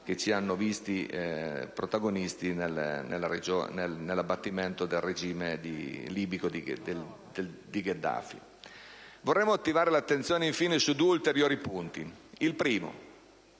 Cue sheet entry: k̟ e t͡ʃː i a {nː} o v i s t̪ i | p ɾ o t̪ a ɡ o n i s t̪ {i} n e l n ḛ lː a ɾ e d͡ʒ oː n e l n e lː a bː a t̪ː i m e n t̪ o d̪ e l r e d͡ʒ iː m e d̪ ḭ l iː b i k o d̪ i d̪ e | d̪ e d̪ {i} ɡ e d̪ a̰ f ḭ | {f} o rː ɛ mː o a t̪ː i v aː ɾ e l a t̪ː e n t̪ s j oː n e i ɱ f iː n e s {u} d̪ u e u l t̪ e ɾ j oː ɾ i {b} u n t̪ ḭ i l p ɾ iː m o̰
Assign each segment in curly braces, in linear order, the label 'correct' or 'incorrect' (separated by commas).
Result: correct, correct, correct, incorrect, correct, incorrect